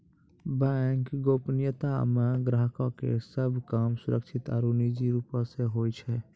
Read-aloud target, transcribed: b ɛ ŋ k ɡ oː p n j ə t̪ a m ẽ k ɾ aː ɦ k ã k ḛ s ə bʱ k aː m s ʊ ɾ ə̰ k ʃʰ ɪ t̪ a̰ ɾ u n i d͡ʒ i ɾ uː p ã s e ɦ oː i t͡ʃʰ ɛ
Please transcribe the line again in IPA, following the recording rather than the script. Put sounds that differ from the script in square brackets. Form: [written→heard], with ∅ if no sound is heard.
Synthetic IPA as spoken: b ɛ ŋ k ɡ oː p n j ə t̪ a m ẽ [k→ɡ] ɾ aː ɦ k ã k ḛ s ə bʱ k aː m s ʊ ɾ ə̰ k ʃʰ ɪ t̪ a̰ ɾ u n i d͡ʒ i ɾ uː p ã s e ɦ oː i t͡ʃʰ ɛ